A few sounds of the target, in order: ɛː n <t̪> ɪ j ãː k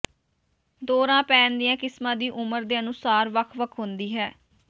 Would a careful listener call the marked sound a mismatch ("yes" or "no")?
yes